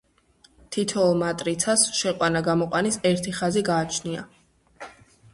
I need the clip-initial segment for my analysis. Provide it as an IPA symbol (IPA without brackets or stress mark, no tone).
t̪ʰ